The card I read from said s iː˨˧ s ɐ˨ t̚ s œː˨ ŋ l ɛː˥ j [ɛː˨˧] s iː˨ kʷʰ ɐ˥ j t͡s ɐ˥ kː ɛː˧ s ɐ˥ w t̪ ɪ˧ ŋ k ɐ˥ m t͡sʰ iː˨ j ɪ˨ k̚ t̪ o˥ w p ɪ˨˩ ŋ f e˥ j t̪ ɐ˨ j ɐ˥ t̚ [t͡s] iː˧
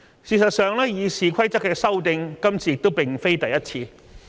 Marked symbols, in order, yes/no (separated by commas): no, no